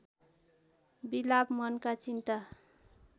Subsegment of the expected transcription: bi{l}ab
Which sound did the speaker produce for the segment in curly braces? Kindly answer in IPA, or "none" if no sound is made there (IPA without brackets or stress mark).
l